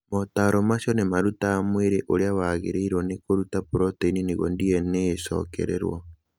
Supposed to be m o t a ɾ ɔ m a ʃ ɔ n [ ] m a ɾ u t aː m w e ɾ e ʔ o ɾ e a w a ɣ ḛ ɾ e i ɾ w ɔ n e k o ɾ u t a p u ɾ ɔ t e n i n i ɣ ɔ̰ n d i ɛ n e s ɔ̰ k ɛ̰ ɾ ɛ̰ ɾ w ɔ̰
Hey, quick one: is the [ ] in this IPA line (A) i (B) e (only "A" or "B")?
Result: B